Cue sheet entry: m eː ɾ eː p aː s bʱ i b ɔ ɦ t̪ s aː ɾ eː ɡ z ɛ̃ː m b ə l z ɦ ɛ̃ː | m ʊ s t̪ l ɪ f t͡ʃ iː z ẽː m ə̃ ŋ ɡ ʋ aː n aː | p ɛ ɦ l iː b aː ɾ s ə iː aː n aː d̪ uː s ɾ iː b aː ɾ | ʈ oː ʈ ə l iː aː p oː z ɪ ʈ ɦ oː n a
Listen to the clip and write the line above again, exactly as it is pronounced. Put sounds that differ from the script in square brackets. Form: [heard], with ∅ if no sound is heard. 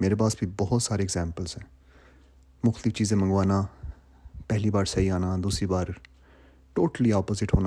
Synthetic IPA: m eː ɾ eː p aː s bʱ i b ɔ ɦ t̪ s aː ɾ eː ɡ z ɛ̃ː m [p] ə l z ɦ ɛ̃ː | m ʊ [x] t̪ l ɪ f t͡ʃ iː z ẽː m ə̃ ŋ ɡ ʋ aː n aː | p ɛ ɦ l iː b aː ɾ s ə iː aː n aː d̪ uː s ɾ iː b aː ɾ | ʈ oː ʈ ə l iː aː p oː z ɪ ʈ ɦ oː n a